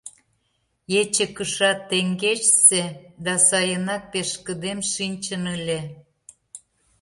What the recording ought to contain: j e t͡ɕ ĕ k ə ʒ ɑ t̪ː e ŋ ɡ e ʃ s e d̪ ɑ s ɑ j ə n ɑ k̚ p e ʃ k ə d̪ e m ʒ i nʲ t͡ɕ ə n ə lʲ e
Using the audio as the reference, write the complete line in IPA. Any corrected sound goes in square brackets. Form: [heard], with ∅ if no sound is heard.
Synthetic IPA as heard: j e t͡ɕ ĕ k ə [ʃ] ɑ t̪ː e ŋ ɡ e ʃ s e d̪ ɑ s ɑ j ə n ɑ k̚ p e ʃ k ə d̪ e m [ʃ] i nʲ t͡ɕ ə n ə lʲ e